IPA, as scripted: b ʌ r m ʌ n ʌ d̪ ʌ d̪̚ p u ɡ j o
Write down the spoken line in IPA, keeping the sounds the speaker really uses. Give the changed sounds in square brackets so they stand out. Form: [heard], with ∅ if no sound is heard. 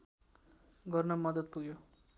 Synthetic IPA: [ɡ] ʌ r [n] ʌ [m] ʌ d̪ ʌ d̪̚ p u ɡ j o